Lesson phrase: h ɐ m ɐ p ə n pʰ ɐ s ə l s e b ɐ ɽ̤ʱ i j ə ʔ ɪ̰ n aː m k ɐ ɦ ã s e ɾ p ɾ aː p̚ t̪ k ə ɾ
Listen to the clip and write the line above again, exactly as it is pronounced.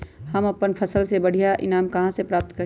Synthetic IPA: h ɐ m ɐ p ə n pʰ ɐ s ə l s e b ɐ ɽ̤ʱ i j a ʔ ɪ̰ n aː m k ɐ ɦ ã s e p ɾ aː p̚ t̪ k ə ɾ